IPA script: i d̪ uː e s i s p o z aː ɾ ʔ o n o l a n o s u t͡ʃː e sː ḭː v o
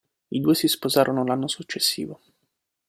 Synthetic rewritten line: i d̪ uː e s i s p o z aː ɾ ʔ o n o l a nː o s u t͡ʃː e sː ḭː v o